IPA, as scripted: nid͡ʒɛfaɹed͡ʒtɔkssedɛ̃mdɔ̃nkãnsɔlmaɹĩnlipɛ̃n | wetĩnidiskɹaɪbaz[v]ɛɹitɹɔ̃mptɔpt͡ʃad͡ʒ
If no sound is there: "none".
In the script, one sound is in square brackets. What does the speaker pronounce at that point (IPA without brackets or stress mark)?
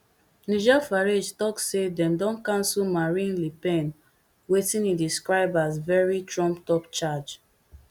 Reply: v